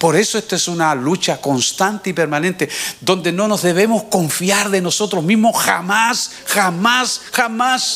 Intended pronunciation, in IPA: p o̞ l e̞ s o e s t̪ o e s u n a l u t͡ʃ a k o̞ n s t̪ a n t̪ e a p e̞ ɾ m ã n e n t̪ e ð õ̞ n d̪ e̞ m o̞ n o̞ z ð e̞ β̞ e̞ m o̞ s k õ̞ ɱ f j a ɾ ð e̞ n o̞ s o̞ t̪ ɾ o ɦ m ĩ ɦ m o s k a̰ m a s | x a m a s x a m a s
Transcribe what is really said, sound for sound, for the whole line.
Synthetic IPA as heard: p o̞ ɾ e̞ s o e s t̪ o e s u n a l u t͡ʃ a k o̞ n s t̪ a n t̪ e i p e̞ ɾ m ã n ẽ n t̪ e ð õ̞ n d̪ e̞ n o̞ n o̞ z ð e̞ β̞ e̞ m o̞ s k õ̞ ɱ f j a ɾ ð e̞ n o̞ s o̞ t̪ ɾ o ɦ m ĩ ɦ m o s x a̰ m a s | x a m a s x a m a s